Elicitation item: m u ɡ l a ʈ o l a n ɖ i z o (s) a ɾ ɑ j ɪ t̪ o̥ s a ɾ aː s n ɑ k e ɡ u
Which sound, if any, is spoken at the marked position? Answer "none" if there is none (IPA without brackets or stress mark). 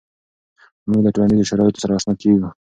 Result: ʃ